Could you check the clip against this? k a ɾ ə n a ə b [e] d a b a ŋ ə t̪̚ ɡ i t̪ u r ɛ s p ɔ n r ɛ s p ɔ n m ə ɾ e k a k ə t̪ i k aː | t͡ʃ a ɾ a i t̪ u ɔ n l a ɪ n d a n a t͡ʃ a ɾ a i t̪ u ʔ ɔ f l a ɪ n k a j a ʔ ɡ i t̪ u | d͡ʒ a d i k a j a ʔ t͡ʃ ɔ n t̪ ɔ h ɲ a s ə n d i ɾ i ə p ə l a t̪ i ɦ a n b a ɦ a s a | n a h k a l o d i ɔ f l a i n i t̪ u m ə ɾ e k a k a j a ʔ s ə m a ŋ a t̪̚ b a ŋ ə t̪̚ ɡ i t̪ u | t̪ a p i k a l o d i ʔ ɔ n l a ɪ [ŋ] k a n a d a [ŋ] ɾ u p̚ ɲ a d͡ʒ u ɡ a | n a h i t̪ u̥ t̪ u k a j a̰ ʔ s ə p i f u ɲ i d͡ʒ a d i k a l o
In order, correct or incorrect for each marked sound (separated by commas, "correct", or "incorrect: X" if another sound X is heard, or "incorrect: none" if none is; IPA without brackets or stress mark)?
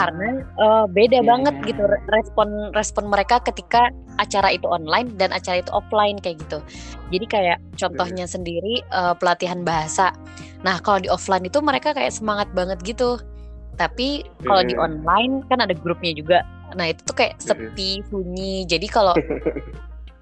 correct, incorrect: n, incorrect: ɡ